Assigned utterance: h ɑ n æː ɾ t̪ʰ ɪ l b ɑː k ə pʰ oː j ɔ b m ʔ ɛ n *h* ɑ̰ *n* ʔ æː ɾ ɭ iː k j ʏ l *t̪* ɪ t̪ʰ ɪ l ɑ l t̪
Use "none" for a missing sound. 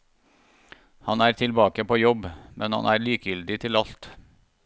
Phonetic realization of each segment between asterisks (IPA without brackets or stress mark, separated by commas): h, n, d̪